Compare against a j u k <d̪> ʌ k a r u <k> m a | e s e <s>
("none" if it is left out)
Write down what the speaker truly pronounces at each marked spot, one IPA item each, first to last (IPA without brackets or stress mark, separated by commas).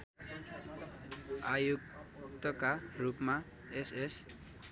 t̪, p, s